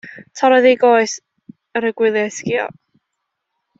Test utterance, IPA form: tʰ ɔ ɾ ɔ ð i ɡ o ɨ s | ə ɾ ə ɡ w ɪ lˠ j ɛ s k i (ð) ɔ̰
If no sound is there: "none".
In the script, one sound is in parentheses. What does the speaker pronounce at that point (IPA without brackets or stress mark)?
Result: none